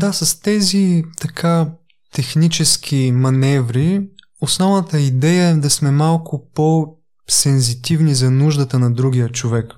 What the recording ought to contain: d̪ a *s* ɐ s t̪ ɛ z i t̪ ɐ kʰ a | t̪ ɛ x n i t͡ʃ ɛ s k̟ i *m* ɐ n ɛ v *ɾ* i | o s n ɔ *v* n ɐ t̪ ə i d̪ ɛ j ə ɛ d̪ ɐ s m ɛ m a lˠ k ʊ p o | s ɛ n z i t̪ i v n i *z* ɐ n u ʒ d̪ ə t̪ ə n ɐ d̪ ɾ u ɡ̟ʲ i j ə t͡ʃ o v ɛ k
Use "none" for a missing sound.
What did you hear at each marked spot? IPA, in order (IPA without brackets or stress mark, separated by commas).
s, m, ɾ, v, z